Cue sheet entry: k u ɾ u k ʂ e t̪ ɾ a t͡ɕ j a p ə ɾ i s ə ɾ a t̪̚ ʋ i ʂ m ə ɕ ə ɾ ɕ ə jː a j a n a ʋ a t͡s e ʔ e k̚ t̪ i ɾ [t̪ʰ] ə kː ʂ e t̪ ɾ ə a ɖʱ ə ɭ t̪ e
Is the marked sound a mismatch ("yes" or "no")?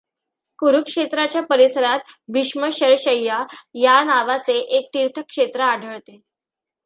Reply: no